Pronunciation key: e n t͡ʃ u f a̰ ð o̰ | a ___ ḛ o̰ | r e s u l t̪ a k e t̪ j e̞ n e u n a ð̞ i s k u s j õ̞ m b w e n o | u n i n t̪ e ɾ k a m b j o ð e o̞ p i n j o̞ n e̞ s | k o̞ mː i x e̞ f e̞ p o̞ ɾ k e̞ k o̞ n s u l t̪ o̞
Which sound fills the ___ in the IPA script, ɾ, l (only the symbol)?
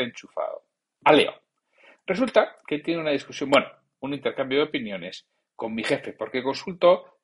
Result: l